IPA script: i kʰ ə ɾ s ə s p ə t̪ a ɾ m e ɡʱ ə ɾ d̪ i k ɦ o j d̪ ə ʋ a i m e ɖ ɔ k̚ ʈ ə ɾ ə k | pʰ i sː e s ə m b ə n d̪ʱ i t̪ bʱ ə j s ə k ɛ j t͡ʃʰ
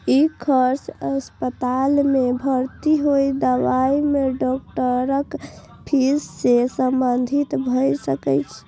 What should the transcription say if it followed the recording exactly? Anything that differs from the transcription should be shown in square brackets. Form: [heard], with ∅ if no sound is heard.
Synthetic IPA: i kʰ ə ɾ s ə s p ə t̪ a [l] m e [bʱ] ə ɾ [t̪] i [∅] ɦ o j d̪ ə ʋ a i m e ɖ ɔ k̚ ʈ ə ɾ ə k | pʰ i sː e s ə m b ə n d̪ʱ i t̪ bʱ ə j s ə k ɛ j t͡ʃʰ